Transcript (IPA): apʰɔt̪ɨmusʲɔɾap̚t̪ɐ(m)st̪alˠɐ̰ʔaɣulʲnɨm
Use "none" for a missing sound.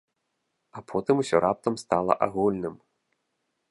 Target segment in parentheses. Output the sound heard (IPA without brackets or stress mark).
m